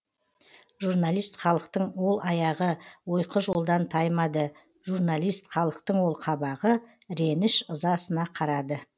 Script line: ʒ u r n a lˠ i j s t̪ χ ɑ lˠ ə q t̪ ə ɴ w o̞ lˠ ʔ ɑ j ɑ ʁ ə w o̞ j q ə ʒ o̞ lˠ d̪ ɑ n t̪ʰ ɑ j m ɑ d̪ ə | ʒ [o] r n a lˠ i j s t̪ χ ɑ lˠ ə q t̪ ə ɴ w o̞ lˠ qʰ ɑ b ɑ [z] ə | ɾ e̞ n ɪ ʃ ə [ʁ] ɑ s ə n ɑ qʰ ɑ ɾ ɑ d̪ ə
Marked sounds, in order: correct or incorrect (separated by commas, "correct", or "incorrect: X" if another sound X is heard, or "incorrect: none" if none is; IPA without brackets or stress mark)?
incorrect: u, incorrect: ʁ, incorrect: z